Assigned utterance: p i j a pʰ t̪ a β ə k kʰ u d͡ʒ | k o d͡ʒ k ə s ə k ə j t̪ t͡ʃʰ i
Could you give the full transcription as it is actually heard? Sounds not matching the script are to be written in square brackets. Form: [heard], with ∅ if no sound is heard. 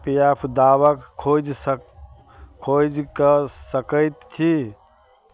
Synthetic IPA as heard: p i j a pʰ [d̪] a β ə k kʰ [o] d͡ʒ | [kʰ] o d͡ʒ k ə s ə k ə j t̪ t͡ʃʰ i